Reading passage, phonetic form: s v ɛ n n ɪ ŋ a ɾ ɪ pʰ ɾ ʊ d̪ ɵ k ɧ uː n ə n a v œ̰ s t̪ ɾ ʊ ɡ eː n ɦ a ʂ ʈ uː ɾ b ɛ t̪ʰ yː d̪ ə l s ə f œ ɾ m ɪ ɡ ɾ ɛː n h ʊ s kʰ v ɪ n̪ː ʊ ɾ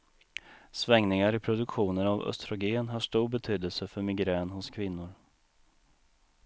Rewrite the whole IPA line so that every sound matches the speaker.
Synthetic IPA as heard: s v ɛ ŋ n ɪ ŋ a ɾ ɪ pʰ ɾ ʊ d̪ ɵ k ɧ uː n ə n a v œ̰ s t̪ ɾ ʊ ɡ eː n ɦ a ʂ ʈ uː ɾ b ɛ t̪ʰ yː d̪ ə l s ə f œ ɾ m ɪ ɡ ɾ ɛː n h ʊ s kʰ v ɪ n̪ː ʊ ɾ